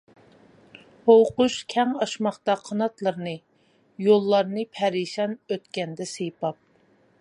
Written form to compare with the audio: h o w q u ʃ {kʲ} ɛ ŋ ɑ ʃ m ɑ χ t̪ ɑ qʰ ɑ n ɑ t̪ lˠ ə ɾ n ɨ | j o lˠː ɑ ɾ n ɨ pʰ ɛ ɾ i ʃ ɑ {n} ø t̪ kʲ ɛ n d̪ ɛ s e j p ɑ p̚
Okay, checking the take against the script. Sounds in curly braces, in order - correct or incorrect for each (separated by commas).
incorrect, correct